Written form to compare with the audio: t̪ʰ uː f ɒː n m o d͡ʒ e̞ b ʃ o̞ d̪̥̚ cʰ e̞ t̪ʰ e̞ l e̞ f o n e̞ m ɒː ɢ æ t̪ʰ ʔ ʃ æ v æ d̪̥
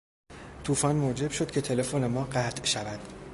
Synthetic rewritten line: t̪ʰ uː f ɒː n m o d͡ʒ e̞ b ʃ o̞ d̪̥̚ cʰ e̞ t̪ʰ e̞ l e̞ f o n e̞ m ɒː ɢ æ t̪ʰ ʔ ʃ æ v æ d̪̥